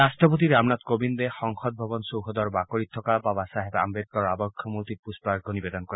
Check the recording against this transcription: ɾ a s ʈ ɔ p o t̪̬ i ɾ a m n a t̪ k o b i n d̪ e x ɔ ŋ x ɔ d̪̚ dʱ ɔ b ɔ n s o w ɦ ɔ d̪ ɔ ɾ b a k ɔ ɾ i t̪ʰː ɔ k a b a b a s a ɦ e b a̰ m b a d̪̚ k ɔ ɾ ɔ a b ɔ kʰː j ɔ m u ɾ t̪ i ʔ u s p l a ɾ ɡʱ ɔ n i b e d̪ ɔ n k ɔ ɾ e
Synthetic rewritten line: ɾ a s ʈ ɔ p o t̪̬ i ɾ a m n a t̪ k o b i n d̪ e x ɔ ŋ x ɔ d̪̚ bʱ ɔ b ɔ n s o w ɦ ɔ d̪ ɔ ɾ b a k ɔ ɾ i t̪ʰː ɔ k a b a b a s a ɦ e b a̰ m b e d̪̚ k ɔ ɾ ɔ a b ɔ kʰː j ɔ m u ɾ t̪ i p u s p ɾ a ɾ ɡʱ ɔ n i b e d̪ ɔ n k ɔ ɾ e